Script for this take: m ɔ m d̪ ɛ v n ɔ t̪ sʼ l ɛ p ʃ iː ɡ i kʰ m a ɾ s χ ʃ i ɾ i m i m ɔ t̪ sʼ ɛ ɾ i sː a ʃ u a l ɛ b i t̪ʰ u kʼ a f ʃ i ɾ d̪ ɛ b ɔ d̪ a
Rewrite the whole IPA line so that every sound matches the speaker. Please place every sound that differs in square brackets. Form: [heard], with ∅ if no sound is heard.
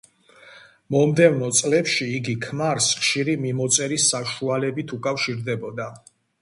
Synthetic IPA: m ɔ m d̪ ɛ v n ɔ t̪ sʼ l ɛ p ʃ iː ɡ i kʰ m a ɾ s χ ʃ i ɾ i m i m ɔ t̪ sʼ ɛ ɾ i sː a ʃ u a l ɛ b i t̪ʰ u kʼ a f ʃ i ɾ d̪ ɛ b ɔ d̪ a